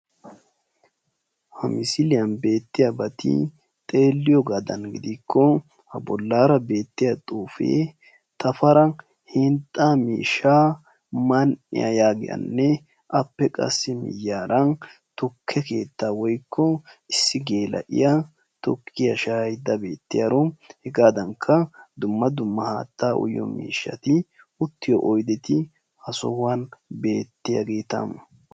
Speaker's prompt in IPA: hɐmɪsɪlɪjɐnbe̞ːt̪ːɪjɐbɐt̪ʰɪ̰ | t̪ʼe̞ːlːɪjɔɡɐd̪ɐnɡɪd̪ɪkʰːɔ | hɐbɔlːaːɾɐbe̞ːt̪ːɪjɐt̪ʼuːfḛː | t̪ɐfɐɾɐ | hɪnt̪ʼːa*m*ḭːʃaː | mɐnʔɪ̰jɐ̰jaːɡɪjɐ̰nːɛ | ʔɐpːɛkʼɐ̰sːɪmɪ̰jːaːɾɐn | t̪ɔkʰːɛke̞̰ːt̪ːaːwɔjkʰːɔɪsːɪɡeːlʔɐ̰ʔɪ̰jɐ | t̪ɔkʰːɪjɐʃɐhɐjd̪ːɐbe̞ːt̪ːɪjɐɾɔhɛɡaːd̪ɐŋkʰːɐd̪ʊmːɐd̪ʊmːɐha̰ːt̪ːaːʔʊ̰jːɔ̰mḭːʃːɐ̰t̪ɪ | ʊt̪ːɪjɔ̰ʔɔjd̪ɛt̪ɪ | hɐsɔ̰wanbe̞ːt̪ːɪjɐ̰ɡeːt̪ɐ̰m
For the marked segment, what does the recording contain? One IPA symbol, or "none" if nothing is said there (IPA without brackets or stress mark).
m